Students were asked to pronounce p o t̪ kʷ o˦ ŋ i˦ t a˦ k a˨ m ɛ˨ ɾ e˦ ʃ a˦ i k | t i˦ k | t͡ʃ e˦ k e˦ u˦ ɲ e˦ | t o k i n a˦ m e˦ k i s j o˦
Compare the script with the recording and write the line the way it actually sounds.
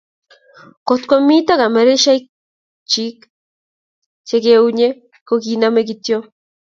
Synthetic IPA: k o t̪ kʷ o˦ m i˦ t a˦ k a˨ m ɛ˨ ɾ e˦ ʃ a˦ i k | t͡ʃ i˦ k | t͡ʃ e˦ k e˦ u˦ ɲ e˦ | k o k i n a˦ m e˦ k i t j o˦

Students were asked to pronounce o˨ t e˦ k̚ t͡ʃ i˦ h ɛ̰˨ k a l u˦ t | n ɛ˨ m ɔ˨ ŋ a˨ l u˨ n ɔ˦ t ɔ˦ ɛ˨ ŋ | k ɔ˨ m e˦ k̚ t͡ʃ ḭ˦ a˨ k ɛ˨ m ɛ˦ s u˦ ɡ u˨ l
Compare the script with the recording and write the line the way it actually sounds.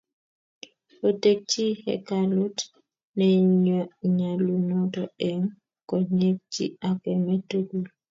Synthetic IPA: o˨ t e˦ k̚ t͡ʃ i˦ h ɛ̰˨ k a l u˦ t | n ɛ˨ ɲ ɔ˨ ɲ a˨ l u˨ n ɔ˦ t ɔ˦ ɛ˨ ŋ | k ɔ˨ ɲ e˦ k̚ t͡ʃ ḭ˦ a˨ k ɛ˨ m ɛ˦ t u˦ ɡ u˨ l

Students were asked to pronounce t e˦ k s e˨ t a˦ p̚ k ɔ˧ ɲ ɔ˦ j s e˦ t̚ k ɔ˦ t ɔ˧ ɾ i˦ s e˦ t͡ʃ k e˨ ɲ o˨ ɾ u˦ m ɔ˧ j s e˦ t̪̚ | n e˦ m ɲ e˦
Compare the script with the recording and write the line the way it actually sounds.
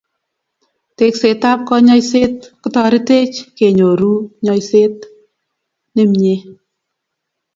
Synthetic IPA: t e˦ k s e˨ t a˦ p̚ k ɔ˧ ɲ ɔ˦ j s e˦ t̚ k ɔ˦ t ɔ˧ ɾ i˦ t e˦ t͡ʃ k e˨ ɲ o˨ ɾ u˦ ɲ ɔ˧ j s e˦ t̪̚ | n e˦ m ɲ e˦

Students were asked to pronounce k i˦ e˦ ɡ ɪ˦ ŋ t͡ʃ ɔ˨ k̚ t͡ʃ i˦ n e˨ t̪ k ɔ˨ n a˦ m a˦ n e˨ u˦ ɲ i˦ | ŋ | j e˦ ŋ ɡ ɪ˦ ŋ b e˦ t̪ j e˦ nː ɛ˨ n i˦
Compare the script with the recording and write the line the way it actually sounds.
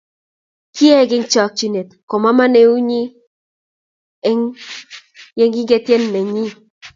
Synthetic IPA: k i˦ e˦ ɡ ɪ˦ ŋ t͡ʃ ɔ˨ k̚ t͡ʃ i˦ n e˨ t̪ k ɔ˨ m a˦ m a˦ n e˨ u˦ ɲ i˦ | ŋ | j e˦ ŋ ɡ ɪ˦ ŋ ɡ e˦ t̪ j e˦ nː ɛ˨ ɲ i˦

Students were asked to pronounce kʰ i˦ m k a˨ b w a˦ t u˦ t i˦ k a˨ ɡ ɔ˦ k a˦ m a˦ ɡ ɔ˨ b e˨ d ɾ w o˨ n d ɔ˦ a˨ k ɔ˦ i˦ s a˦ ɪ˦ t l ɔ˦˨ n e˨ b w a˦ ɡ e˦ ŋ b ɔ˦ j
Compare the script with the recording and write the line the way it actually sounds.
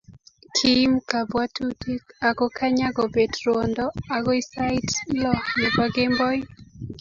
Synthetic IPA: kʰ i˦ m k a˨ b w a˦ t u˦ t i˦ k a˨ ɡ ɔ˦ k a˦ ɲ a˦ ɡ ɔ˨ b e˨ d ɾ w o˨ n d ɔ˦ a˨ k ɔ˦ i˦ s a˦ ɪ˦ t l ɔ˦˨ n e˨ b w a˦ ɡ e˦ m b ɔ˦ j

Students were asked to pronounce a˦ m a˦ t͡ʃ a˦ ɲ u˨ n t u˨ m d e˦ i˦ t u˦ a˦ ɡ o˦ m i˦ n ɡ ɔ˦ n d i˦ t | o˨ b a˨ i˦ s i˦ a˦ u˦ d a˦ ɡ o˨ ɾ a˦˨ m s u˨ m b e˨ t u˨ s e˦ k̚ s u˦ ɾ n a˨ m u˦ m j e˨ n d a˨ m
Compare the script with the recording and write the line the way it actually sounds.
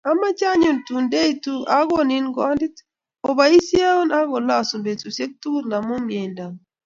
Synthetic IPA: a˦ m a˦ t͡ʃ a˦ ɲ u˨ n t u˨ n d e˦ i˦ t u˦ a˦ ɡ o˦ n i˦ n ɡ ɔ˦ n d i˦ t | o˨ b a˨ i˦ s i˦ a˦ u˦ n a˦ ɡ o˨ l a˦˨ s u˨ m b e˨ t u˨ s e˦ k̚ t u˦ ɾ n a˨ m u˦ m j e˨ n d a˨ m

